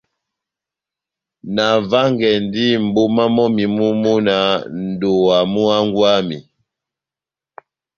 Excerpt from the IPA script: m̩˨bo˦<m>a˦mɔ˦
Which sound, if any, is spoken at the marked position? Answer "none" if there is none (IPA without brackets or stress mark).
m